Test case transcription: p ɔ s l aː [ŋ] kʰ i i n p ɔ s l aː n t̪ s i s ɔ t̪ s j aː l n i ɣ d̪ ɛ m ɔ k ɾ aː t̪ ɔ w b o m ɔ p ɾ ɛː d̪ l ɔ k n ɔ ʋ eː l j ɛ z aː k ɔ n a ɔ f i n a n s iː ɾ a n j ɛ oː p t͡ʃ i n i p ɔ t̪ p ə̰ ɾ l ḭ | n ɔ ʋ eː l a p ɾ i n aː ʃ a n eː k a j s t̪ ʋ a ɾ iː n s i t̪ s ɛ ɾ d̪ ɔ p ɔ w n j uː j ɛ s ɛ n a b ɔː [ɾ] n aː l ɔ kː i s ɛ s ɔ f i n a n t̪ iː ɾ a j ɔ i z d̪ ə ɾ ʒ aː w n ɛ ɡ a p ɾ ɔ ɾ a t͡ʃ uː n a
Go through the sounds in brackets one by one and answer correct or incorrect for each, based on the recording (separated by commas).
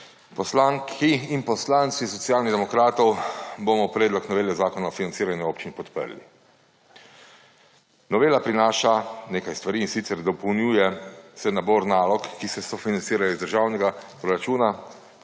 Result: correct, correct